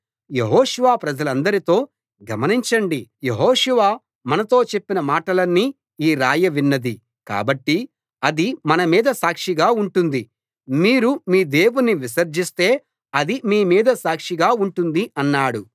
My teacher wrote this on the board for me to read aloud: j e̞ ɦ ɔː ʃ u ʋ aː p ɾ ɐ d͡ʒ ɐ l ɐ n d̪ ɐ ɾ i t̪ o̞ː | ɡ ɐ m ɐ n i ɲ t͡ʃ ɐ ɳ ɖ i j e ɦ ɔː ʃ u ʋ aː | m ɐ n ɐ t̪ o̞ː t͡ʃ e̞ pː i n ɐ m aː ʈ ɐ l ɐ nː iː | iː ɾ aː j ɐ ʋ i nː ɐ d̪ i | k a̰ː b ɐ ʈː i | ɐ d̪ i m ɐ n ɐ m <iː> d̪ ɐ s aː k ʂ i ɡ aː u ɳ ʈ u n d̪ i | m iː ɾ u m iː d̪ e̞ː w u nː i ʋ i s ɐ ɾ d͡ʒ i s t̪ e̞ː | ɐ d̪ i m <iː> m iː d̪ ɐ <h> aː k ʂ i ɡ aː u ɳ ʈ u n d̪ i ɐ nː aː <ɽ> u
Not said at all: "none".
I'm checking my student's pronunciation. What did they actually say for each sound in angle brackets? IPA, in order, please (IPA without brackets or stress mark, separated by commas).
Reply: iː, iː, s, ɽ